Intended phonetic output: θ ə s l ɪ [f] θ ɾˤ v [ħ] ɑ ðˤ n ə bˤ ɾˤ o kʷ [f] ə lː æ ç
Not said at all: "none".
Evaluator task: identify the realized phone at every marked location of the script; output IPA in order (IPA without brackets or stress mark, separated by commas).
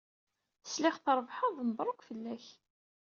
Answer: χ, ħ, f